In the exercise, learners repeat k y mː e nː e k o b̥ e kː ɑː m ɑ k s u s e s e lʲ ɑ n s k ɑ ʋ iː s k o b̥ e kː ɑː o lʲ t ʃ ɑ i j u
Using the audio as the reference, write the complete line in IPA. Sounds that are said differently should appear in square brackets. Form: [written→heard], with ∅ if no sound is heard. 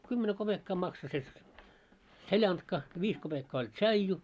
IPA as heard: k y mː e [nː→n] e k o b̥ e kː ɑː m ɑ k s [u→o] s e s e lʲ ɑ n [s→t] k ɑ ʋ iː s k o b̥ e kː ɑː o lʲ t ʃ ɑ i j u